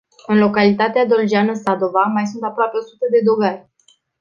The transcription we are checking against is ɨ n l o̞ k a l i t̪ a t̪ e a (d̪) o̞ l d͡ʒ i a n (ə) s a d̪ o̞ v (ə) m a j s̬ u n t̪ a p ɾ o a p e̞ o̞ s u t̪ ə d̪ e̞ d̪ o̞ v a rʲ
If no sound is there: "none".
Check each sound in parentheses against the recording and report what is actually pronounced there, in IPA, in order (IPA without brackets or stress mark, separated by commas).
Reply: d̪, ə, a